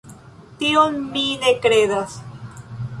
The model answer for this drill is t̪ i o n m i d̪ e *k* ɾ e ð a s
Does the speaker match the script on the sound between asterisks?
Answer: yes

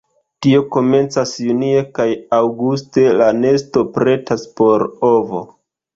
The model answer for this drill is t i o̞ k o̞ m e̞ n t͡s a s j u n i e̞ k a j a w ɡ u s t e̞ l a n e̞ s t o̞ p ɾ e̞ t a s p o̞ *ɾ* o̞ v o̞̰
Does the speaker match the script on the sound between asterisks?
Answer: yes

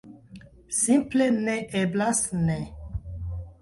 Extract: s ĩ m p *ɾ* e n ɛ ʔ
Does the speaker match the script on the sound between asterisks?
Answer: no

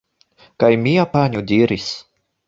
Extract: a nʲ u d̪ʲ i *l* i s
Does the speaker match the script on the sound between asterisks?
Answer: no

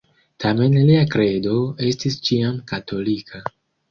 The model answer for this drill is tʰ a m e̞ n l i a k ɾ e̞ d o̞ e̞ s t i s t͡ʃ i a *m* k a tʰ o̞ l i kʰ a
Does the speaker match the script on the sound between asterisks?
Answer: yes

